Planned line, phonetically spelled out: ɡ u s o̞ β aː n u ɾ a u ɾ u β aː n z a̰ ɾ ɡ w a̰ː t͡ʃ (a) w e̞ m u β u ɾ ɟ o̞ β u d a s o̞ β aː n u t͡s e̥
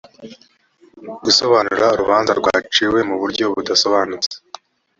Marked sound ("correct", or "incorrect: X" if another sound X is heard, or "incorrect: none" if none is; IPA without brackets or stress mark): incorrect: i